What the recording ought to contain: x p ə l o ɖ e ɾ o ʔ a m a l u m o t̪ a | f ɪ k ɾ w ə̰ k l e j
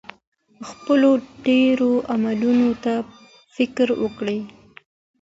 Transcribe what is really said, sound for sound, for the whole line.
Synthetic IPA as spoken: x p ə l o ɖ e ɾ o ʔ a m a l u n o t̪ a | f ɪ k ɾ w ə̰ k ɽ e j